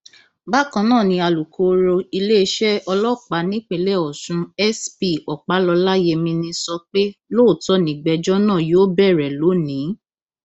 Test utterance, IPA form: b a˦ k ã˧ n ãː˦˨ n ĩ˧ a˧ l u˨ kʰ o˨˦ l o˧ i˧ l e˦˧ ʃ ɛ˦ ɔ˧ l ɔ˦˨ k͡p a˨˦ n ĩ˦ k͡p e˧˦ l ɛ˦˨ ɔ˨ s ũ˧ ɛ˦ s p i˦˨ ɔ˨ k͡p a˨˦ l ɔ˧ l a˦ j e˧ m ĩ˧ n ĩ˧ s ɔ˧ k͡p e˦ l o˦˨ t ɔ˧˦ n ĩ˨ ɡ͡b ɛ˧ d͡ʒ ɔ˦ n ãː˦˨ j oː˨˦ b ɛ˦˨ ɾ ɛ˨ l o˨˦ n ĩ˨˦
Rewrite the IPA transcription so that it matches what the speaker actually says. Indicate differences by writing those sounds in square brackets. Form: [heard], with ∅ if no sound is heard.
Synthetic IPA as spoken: b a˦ k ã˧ n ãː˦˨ n ĩ˧ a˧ l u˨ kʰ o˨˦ [ɾ] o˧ i˧ l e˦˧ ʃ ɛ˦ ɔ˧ l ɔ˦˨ k͡p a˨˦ n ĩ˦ k͡p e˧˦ l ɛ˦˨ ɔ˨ s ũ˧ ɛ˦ s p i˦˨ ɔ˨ k͡p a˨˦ l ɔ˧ l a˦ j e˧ m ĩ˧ n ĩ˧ s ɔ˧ k͡p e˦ l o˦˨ t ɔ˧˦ n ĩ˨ ɡ͡b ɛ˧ d͡ʒ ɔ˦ n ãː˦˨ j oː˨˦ b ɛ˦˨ ɾ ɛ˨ l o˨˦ n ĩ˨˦